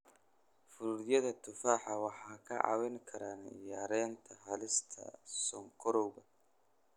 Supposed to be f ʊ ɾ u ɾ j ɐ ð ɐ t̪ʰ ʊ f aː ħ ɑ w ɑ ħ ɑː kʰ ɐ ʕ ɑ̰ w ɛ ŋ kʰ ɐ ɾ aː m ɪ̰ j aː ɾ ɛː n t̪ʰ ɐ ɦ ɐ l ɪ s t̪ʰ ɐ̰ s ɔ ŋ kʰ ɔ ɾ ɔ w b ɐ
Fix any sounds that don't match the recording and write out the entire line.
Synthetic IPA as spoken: f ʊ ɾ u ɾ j ɐ ð ɐ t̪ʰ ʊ f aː ħ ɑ w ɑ ħ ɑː kʰ ɐ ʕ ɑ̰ w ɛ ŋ kʰ ɐ ɾ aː n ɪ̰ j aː ɾ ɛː n t̪ʰ ɐ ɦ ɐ l ɪ s t̪ʰ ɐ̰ s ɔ ŋ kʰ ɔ ɾ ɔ w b ɐ

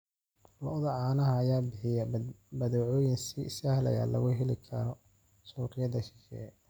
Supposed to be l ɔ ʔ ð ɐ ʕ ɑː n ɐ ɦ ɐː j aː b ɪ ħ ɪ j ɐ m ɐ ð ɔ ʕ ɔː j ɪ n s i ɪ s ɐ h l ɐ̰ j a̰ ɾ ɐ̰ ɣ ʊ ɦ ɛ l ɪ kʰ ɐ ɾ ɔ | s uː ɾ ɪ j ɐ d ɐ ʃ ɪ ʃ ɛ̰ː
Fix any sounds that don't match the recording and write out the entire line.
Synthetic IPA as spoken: l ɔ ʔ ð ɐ ʕ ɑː n ɐ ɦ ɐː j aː b ɪ ħ ɪ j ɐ b ɐ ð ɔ ʕ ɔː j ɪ n s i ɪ s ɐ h l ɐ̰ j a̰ l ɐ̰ ɣ ʊ ɦ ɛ l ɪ kʰ ɐ ɾ ɔ | s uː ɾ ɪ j ɐ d ɐ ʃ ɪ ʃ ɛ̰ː

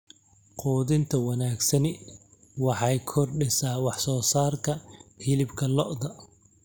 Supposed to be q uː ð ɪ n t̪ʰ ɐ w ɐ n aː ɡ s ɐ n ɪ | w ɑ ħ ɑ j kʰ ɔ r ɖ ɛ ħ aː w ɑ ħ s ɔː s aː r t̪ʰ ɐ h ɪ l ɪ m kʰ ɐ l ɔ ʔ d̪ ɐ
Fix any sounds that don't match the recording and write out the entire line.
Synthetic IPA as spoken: q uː ð ɪ n t̪ʰ ɐ w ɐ n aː ɡ s ɐ n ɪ | w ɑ ħ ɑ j kʰ ɔ r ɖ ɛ s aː w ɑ ħ s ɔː s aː r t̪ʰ ɐ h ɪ l ɪ b kʰ ɐ l ɔ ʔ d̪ ɐ

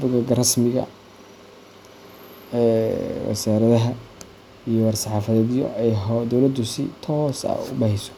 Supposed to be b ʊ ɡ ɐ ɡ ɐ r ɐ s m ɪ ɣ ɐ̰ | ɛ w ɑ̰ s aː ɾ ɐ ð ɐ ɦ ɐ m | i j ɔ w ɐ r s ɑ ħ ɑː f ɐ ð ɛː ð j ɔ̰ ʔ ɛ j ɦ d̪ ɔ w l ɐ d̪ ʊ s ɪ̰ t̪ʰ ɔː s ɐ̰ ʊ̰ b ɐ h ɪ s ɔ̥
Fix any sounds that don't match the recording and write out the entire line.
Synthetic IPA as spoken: b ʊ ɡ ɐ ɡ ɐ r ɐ s m ɪ ɣ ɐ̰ | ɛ w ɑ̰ s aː ɾ ɐ ð ɐ ɦ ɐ | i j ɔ w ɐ r s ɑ ħ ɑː f ɐ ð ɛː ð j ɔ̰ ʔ ɛ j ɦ d̪ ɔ w l ɐ d̪ ʊ s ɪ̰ t̪ʰ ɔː s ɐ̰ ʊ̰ b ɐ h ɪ s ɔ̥

